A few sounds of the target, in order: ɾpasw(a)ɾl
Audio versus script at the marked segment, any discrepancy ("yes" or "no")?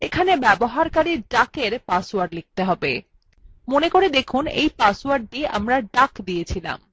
no